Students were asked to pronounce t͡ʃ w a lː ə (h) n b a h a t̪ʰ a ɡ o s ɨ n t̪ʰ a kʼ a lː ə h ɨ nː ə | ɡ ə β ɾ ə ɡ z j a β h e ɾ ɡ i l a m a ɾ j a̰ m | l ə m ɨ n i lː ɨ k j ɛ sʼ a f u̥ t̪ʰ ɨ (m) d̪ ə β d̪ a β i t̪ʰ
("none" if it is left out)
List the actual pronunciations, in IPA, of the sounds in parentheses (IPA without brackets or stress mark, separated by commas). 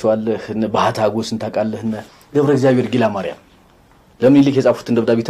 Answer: h, n